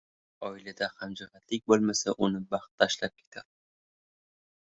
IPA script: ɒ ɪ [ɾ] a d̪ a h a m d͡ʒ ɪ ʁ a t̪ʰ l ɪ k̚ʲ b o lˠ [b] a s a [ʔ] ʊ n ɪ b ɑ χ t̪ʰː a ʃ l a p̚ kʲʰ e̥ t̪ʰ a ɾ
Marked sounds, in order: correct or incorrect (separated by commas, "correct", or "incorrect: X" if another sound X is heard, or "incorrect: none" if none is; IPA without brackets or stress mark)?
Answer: incorrect: l, incorrect: m, correct